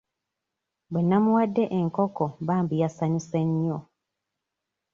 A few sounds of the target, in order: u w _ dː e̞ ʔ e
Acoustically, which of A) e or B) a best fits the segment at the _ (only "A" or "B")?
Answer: B